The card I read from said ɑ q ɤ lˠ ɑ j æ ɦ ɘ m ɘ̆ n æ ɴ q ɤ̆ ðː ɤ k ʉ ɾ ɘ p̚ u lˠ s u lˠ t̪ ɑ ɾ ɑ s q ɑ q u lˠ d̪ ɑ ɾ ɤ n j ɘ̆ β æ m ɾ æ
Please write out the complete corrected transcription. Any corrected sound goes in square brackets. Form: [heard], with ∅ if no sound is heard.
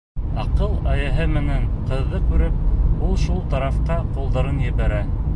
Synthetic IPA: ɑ q ɤ lˠ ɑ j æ ɦ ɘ m ɘ̆ n æ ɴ q ɤ̆ ðː ɤ k ʉ ɾ ɘ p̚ u lˠ [ʃ] u lˠ t̪ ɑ ɾ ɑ [f] q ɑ q u lˠ d̪ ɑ ɾ ɤ n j ɘ̆ β æ [∅] ɾ æ